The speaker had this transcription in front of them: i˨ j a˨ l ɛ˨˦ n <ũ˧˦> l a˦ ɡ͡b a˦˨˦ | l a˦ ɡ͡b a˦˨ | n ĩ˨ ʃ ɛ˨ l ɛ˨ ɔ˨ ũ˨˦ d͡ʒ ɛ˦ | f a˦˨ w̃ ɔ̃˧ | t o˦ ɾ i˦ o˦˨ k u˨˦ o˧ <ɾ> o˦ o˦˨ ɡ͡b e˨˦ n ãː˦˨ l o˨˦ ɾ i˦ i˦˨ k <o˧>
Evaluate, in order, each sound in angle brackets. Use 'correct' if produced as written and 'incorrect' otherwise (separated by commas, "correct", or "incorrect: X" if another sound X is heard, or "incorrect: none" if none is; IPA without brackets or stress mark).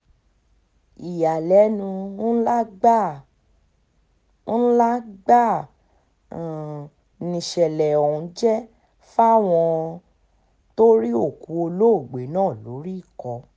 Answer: correct, incorrect: l, incorrect: ɔ˧